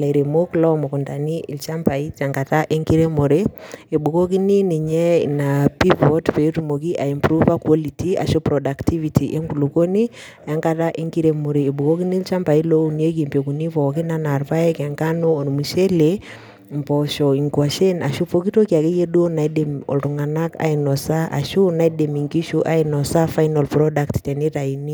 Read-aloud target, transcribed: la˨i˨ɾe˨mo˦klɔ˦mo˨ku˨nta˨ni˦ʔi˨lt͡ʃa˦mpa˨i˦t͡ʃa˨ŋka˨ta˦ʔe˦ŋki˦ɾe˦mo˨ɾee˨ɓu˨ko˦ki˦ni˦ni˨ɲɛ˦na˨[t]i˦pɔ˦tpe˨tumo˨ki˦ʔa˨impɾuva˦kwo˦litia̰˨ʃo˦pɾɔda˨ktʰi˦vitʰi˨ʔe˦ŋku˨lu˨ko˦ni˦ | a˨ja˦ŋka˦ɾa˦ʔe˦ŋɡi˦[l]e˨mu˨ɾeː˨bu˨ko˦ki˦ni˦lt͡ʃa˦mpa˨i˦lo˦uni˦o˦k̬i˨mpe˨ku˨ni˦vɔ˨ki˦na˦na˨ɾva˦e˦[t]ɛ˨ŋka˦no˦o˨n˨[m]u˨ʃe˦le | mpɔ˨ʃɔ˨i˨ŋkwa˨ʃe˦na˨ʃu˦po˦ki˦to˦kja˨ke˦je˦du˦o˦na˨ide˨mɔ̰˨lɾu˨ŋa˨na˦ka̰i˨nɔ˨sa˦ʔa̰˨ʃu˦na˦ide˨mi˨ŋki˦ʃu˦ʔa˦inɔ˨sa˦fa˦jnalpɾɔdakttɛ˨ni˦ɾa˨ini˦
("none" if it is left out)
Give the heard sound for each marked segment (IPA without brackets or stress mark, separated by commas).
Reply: p, ɾ, k, m